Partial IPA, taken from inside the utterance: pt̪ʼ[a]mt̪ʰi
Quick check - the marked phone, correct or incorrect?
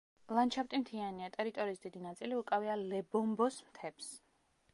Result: incorrect